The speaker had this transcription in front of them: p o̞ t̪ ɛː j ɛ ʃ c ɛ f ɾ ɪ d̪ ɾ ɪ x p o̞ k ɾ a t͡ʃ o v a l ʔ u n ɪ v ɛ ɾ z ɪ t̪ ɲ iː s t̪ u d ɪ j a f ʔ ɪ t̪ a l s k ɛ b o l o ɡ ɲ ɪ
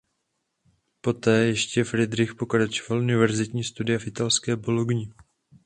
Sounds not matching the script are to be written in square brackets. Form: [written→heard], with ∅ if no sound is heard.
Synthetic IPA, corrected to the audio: p o̞ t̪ ɛː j ɛ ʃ c ɛ f ɾ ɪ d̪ ɾ ɪ x p o̞ k ɾ a t͡ʃ o v a l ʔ u n ɪ v ɛ ɾ z ɪ t̪ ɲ iː s t̪ u d ɪ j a f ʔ ɪ t̪ a l s k [ɛ→ɛː] b o l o ɡ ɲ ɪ